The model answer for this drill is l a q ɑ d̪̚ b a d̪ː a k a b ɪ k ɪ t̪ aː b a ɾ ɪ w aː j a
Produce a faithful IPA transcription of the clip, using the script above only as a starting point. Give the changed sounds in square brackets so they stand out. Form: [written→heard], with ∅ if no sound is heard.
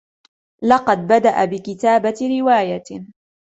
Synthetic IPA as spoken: l [a→ɑ] q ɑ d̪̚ b a [d̪ː→d̪] a [k→ʔ] a b ɪ k ɪ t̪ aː b a ɾ ɪ w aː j a